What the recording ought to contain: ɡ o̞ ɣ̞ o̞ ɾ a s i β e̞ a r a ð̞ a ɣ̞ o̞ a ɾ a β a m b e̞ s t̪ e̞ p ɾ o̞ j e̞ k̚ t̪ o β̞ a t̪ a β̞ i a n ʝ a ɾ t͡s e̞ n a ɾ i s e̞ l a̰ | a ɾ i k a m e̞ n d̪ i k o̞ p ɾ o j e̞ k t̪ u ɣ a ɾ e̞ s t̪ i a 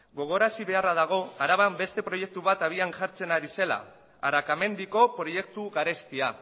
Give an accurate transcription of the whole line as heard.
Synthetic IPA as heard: ɡ o̞ ɣ̞ o̞ ɾ a s i β e̞ a r a ð̞ a ɣ̞ o̞ a ɾ a β a m b e̞ s t̪ e̞ p ɾ o̞ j e̞ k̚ t̪ u β̞ a t̪ a β̞ i a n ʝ a ɾ t͡s e̞ n a ɾ i s e̞ l a̰ | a ɾ a k a m e̞ n d̪ i k o̞ p ɾ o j e̞ k t̪ u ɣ a ɾ e̞ s t̪ i a